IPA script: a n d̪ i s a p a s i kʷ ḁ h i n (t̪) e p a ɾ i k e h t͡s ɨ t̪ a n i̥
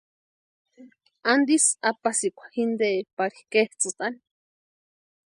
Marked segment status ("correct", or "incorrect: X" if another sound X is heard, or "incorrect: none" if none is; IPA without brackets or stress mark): incorrect: d̪